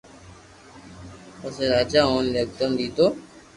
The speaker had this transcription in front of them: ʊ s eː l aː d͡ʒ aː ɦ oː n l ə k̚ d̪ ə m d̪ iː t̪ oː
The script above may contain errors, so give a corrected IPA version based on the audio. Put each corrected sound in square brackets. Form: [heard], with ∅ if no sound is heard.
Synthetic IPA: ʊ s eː [ɾ] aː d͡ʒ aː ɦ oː n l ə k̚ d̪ ə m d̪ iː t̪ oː

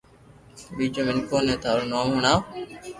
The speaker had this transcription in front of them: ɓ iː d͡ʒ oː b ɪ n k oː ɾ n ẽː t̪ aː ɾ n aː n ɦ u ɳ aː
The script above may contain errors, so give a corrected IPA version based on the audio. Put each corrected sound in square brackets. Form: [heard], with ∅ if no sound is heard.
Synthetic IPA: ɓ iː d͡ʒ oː [m] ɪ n k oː [∅] n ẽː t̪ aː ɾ n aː [m] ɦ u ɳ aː

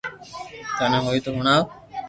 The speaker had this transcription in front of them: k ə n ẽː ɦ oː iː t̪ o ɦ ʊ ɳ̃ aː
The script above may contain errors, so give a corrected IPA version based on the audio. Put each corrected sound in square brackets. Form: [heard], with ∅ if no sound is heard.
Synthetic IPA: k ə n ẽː ɦ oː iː t̪ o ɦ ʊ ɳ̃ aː

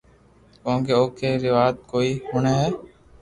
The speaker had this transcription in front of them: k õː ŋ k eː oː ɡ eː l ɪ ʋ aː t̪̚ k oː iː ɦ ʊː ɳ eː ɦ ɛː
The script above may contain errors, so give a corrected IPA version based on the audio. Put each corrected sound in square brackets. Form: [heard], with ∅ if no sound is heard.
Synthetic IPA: k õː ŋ k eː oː [k] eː [ɾ] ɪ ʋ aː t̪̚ k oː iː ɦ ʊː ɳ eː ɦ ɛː

